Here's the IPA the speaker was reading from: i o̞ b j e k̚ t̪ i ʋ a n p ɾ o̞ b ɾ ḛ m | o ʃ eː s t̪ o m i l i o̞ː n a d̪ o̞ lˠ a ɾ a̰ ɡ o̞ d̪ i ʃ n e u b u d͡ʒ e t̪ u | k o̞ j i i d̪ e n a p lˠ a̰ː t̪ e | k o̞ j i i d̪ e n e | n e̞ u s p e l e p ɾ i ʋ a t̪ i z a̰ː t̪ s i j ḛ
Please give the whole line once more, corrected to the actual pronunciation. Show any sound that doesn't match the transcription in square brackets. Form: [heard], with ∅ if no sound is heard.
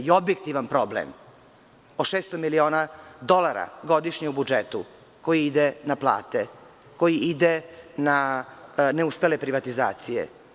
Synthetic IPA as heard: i o̞ b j e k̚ t̪ i ʋ a n p ɾ o̞ b [l] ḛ m | o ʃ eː s t̪ o m i l i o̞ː n a d̪ o̞ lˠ a ɾ a̰ ɡ o̞ d̪ i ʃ [ɲ] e u b u d͡ʒ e t̪ u | k o̞ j i i d̪ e n a p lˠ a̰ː t̪ e | k o̞ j i i d̪ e n [a] | n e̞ u s p e l e p ɾ i ʋ a t̪ i z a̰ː t̪ s i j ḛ